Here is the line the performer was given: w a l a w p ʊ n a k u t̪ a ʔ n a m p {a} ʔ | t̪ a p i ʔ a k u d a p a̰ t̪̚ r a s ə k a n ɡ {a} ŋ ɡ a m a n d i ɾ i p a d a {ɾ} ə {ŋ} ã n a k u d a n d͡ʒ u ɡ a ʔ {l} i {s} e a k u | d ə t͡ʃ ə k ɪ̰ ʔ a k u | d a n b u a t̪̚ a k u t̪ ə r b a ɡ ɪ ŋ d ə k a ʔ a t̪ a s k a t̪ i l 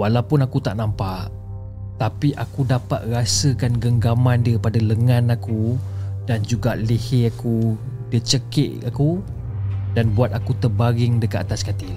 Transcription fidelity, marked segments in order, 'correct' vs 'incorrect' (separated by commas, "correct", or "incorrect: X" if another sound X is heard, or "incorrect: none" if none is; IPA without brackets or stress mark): correct, incorrect: ə, incorrect: l, correct, correct, incorrect: h